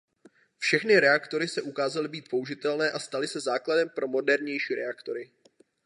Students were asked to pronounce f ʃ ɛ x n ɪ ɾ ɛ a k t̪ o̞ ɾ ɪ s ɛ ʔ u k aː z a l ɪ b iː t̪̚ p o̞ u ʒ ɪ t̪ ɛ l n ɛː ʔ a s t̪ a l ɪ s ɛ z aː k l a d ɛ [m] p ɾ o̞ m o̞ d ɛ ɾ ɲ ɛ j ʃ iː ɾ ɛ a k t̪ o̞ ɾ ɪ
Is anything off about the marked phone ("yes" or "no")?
no